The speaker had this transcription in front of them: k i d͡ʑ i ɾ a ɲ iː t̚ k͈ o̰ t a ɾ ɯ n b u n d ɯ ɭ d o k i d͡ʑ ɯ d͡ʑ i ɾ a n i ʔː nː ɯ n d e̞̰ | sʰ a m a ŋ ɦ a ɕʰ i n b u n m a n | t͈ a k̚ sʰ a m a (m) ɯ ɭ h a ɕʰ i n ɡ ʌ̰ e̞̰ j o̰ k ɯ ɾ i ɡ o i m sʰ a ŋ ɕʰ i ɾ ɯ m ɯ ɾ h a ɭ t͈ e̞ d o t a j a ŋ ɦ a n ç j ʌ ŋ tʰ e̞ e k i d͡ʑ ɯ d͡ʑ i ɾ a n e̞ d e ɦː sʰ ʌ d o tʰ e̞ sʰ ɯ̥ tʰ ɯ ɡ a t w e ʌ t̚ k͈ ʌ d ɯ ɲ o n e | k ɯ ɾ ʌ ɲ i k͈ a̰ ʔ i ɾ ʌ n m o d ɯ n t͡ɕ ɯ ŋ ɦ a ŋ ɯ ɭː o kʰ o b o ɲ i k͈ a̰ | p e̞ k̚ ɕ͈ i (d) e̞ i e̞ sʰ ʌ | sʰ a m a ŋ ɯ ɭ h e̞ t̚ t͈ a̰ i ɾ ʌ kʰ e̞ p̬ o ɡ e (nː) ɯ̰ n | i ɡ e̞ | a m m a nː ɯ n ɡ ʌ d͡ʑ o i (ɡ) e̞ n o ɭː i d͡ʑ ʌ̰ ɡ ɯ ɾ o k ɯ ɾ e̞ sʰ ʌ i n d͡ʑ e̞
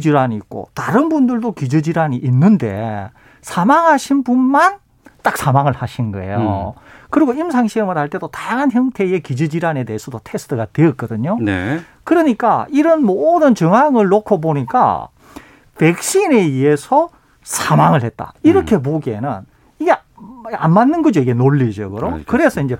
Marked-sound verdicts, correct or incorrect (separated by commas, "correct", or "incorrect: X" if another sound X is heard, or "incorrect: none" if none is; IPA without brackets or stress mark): incorrect: ŋ, incorrect: n, incorrect: n, correct